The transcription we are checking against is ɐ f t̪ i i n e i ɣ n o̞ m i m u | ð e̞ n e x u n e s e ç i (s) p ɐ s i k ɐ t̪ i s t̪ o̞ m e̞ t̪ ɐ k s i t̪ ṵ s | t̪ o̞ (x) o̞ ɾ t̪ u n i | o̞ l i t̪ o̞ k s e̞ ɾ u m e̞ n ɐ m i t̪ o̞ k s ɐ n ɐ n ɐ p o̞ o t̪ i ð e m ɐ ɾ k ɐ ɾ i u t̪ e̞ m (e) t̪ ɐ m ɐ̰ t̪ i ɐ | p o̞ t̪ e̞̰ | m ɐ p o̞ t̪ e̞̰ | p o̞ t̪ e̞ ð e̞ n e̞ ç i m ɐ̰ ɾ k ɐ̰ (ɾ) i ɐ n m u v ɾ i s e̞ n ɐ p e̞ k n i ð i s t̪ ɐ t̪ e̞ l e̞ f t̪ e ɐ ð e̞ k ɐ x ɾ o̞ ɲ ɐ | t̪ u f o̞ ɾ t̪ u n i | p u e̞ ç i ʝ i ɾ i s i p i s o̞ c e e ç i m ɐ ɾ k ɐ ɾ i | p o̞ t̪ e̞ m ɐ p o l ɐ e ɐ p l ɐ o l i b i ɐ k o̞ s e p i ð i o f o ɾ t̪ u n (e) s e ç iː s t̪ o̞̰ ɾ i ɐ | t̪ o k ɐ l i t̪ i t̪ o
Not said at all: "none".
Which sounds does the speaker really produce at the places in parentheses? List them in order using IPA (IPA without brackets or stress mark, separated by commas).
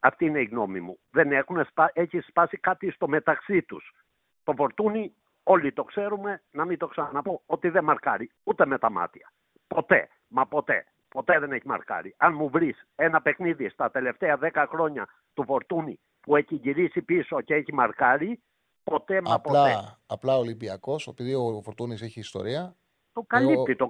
s, f, e, ɾ, i